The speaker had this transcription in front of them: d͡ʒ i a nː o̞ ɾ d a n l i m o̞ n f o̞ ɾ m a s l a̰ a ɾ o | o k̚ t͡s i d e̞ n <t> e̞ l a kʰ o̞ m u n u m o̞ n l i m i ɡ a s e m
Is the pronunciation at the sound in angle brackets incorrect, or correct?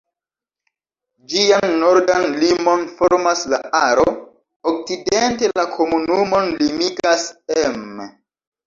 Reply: correct